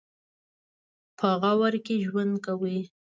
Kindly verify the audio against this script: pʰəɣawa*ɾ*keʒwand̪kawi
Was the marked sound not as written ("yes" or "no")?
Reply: no